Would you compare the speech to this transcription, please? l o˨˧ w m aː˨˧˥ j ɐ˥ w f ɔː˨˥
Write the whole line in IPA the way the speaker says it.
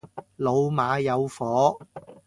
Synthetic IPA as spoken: l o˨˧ w m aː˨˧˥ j ɐ˨˧ w f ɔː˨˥